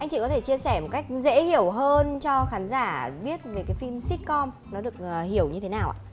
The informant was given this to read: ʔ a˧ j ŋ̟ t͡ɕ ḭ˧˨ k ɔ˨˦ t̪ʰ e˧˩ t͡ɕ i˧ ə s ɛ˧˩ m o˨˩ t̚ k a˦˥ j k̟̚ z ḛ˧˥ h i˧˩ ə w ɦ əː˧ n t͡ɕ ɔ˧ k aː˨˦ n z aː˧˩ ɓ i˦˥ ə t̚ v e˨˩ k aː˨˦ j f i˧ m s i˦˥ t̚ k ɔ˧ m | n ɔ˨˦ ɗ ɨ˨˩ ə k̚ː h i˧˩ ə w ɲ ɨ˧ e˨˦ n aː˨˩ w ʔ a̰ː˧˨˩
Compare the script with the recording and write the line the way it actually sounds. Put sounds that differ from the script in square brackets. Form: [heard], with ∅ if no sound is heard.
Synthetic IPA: ʔ a˧ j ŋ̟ t͡ɕ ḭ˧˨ k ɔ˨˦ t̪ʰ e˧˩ t͡ɕ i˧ ə s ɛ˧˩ m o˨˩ t̚ k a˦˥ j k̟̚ z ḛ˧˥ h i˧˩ ə w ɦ əː˧ n t͡ɕ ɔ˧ [x] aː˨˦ n z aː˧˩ ɓ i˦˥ ə t̚ v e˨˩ k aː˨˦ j f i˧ m s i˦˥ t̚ k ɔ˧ m | n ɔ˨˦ ɗ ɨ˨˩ ə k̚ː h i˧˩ ə w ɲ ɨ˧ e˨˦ n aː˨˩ w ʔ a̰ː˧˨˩